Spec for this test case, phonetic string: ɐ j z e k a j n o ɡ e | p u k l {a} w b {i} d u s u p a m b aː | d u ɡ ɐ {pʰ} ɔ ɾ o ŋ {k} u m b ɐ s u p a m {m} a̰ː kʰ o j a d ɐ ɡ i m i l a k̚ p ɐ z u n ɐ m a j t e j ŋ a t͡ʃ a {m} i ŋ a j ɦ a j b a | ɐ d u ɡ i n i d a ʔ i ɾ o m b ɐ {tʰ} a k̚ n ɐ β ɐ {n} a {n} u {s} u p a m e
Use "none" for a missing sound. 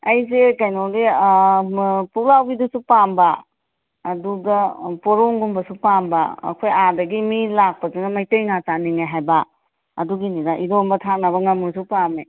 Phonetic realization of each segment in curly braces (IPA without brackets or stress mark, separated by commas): a, i, p, ɡ, b, n, tʰ, ŋ, m, s